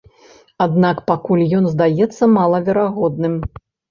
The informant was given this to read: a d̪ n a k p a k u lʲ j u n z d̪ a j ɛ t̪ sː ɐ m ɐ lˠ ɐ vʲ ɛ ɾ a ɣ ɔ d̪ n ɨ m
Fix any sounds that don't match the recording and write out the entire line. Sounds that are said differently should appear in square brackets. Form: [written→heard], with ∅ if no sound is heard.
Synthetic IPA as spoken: a d̪ n a k p a k u lʲ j [u→ɔ] n z d̪ a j ɛ t̪ sː ɐ m [ɐ→a] lˠ ɐ vʲ ɛ ɾ a ɣ ɔ d̪ n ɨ m